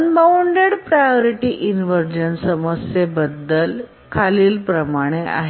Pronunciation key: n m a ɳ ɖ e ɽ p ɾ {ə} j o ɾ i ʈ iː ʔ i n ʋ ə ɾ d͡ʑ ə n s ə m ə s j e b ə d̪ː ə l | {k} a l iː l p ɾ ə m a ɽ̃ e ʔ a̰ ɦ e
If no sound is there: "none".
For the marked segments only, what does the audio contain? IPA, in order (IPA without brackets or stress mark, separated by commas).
a, kʰ